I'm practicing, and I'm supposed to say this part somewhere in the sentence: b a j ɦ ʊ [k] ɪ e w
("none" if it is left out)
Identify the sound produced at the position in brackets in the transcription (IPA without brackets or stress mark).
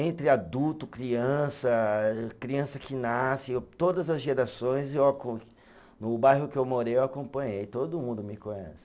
k